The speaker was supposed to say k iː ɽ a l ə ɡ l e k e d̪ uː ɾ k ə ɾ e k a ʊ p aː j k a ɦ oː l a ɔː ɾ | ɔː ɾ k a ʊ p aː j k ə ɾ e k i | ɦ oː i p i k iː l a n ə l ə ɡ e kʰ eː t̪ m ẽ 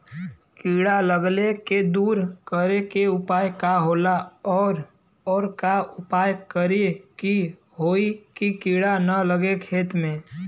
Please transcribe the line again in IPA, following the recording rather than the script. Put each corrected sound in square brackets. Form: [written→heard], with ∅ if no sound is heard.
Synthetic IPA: k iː ɽ a l ə ɡ l e k e d̪ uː ɾ k ə ɾ e k [a→e] ʊ p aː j k a ɦ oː l a ɔː ɾ | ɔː ɾ k a ʊ p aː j k ə ɾ e k i | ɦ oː i [p→k] i k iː [l→ɽ] a n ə l ə ɡ e kʰ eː t̪ m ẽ